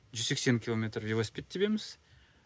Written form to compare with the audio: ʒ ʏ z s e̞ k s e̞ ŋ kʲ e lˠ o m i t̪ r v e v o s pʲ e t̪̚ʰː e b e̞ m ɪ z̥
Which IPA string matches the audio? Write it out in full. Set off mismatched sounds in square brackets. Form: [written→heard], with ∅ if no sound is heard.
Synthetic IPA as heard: ʒ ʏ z s e̞ k s e̞ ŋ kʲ [e→i] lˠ o m [i→e] t̪ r v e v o s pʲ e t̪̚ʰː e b e̞ m ɪ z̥